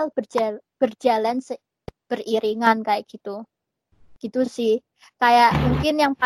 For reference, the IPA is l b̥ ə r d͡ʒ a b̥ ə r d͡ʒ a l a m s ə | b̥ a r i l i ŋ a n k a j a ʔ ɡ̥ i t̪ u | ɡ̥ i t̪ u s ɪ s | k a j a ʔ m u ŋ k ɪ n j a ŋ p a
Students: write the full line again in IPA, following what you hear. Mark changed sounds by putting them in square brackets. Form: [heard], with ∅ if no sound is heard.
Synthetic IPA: l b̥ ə r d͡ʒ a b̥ ə r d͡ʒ a l a [n] s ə | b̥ [ə] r i [ɾ] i ŋ a n k a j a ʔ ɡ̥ i t̪ u | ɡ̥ i t̪ u s ɪ [h] | k a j a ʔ m u ŋ k ɪ n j a ŋ p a